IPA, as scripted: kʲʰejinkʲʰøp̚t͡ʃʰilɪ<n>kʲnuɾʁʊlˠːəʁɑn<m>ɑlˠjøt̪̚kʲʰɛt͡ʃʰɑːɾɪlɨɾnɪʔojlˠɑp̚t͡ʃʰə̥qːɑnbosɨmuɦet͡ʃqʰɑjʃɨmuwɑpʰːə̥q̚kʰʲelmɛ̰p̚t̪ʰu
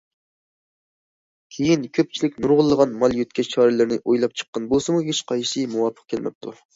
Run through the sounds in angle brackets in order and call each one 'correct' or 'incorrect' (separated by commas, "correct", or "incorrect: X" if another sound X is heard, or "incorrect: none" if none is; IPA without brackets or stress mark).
incorrect: none, correct